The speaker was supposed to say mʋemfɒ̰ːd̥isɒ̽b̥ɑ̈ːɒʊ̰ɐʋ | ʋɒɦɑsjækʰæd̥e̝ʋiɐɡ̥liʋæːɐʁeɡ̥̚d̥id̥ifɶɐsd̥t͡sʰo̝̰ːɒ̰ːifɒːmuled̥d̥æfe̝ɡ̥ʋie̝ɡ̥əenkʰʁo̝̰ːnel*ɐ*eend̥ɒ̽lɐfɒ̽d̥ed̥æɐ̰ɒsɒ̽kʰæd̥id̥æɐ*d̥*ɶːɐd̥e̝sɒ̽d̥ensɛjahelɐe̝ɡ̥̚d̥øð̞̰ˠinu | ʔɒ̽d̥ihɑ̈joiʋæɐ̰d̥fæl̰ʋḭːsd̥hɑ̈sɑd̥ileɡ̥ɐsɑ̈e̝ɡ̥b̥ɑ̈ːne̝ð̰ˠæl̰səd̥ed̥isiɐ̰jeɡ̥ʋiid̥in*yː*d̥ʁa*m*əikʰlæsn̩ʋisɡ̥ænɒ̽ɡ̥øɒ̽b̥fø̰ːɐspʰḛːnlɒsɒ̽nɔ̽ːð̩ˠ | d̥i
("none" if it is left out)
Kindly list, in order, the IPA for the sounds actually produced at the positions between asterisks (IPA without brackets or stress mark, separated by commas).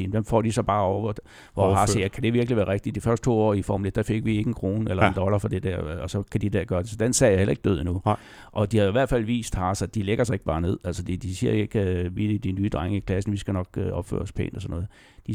ɐ, ɡ̥, yː, ŋ